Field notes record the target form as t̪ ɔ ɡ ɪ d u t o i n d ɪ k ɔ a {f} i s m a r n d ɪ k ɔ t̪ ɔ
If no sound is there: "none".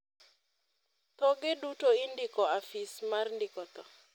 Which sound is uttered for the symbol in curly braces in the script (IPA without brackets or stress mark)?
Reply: f